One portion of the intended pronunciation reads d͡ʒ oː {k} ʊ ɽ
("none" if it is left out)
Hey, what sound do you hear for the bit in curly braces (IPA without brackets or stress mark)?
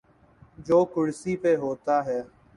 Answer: k